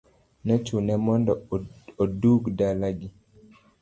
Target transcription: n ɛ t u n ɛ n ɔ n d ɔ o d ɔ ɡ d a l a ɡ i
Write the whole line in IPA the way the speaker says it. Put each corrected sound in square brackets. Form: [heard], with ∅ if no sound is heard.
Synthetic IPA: n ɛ [t͡ʃ] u n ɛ [m] ɔ n d ɔ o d [u] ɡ d a l a ɡ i